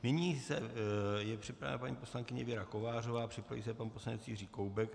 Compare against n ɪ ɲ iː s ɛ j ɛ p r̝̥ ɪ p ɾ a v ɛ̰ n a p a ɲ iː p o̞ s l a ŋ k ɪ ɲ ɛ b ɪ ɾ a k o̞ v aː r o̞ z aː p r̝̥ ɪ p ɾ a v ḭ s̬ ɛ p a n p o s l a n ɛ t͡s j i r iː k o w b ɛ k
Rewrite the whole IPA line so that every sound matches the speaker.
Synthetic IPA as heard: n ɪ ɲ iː s ɛ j ɛ p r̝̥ ɪ p ɾ a v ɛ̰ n a p a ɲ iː p o̞ s l a ŋ k ɪ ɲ ɛ v ɪ ɾ a k o̞ v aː r o̞ v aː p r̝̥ ɪ p ɾ a v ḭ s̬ ɛ p a n p o s l a n ɛ t͡s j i r iː k o w b ɛ k